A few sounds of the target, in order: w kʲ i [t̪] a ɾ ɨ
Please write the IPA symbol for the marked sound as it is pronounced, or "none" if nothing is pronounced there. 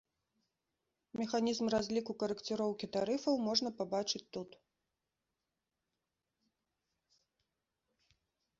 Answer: t̪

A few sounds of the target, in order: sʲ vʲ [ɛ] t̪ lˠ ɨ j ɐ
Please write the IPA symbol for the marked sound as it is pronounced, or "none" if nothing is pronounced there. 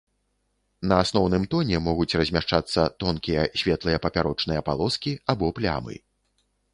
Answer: ɛ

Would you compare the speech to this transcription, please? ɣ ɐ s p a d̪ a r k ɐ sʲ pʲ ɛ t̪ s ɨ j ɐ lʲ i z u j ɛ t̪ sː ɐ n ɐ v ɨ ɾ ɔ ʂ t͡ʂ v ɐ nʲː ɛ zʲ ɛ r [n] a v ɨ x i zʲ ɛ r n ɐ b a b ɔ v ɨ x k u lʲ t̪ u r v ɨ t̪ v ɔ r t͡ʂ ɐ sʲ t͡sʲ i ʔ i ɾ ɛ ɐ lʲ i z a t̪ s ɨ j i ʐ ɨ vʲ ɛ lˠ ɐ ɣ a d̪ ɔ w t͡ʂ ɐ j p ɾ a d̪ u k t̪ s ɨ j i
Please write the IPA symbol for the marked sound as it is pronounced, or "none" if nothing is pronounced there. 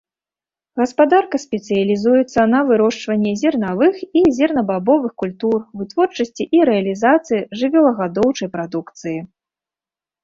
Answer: n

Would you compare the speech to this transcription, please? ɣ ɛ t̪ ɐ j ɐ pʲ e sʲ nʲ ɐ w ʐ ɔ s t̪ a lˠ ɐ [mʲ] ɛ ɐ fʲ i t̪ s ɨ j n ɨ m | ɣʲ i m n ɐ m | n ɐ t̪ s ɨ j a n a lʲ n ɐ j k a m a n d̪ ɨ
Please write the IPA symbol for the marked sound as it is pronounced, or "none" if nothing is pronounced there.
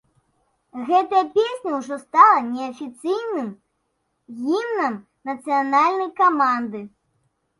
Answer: nʲ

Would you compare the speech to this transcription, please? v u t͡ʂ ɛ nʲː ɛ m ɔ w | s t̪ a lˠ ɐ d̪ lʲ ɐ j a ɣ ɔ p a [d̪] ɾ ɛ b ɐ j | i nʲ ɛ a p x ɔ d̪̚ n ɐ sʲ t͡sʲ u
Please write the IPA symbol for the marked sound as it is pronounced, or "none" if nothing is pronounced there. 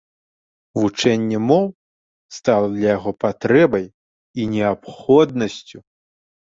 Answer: t̪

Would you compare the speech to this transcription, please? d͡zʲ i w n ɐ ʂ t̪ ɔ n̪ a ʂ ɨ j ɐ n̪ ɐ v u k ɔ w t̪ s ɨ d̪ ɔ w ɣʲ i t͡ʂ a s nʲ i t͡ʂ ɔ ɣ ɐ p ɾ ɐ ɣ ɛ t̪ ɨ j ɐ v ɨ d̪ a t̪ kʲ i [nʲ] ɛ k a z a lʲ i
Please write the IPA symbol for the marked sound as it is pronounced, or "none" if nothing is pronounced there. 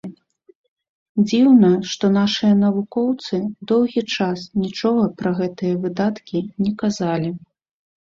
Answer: nʲ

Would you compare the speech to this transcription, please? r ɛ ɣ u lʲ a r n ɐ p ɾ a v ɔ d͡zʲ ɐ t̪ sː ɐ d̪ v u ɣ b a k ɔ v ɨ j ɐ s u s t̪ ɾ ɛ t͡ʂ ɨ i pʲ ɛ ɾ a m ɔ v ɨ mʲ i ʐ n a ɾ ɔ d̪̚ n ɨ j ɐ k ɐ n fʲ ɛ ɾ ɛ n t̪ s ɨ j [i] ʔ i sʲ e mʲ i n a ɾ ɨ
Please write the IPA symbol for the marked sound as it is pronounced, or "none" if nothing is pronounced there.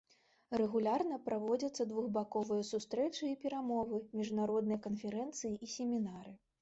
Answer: i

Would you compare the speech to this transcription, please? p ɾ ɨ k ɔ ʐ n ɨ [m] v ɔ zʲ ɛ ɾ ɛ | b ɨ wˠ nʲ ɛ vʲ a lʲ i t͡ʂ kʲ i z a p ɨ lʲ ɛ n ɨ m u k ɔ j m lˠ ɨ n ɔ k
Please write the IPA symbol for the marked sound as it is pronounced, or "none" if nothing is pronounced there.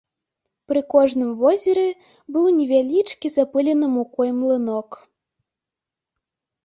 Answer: m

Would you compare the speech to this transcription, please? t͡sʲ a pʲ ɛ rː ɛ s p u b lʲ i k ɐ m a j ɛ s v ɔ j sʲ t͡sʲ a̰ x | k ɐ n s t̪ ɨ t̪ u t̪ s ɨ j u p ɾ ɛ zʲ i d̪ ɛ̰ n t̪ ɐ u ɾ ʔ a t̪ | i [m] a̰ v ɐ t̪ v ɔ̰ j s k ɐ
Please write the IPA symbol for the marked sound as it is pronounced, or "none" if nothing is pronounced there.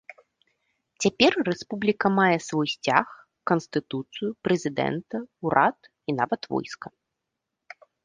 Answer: n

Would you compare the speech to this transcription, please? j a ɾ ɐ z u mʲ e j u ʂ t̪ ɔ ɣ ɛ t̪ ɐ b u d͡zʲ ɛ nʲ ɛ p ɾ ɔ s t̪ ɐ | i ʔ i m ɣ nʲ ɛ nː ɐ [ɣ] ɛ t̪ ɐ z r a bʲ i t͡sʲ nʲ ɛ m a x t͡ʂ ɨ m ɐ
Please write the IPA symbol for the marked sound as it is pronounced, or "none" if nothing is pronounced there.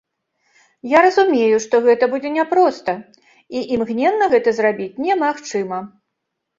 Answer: ɣ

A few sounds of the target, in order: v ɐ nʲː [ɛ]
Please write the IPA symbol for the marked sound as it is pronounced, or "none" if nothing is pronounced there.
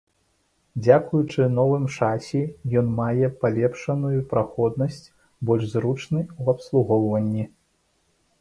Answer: i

